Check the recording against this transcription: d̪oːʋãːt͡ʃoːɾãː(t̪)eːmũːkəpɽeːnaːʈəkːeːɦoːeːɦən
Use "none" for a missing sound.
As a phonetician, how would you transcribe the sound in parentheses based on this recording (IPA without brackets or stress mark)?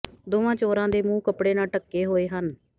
d̪